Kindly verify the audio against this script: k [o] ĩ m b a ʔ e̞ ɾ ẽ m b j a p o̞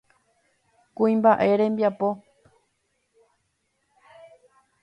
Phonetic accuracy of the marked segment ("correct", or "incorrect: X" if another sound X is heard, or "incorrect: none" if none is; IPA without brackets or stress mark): incorrect: u